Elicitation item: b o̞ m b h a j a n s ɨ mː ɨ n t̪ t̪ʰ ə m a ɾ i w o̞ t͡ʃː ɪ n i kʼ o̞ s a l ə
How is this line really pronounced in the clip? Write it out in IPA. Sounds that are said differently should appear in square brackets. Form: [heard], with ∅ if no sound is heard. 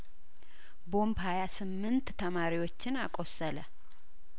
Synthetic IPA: b o̞ m b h a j a [∅] s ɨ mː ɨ n t̪ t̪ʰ ə m a ɾ i w o̞ t͡ʃː ɪ n [a] kʼ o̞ s [ə] l ə